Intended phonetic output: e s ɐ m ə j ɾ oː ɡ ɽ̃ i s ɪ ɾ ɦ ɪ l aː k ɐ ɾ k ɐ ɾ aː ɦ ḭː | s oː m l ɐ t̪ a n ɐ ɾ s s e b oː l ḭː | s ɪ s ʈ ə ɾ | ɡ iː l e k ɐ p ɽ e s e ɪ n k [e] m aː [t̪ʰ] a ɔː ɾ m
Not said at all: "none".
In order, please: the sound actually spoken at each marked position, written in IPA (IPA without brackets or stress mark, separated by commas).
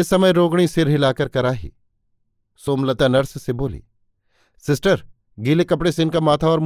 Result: a, t̪ʰ